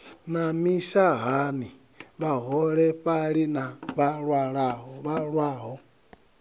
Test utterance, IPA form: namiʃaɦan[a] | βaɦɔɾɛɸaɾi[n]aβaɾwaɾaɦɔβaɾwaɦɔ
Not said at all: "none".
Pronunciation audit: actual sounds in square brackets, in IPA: i, n

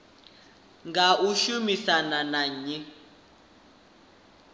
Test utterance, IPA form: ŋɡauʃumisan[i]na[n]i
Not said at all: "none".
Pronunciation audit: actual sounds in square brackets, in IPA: a, ɲ

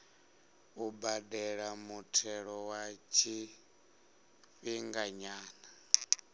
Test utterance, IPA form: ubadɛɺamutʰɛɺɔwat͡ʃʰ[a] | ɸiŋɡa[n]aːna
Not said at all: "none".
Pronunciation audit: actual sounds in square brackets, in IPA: i, ɲ

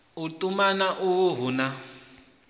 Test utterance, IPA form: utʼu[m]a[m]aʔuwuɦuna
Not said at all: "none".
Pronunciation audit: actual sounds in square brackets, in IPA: m, n

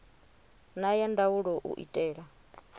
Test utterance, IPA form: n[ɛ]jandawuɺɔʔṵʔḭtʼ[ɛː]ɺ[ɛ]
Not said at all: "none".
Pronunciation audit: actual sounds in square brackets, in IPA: a, ɛː, a

